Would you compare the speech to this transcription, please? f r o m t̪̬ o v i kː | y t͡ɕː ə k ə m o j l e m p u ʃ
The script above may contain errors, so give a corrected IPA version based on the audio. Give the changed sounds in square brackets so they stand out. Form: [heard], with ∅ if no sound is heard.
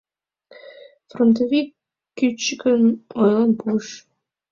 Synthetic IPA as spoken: f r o [n] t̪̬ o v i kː | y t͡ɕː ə k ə [n] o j l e [n] p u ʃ